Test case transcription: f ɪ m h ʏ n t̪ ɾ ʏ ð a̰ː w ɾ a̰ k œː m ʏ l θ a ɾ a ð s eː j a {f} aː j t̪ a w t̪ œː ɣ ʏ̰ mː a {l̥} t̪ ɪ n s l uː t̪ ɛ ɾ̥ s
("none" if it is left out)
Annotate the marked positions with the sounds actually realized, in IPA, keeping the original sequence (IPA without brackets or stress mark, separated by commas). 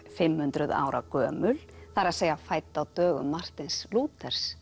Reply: f, r̥